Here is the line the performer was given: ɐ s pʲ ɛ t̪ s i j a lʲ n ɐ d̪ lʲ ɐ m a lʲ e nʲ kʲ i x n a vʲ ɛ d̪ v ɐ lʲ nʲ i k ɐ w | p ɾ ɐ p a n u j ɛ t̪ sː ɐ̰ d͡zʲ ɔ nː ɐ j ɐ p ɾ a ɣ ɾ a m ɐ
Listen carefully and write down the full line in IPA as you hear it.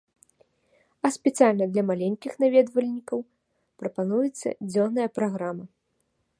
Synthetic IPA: ɐ s pʲ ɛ t̪ s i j a lʲ n ɐ d̪ lʲ ɐ m a lʲ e nʲ kʲ i x n a vʲ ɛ d̪ v ɐ lʲ nʲ i k ɐ w | p ɾ ɐ p a n u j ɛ t̪ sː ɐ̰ d͡zʲ ɔ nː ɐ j ɐ p ɾ a ɣ ɾ a m ɐ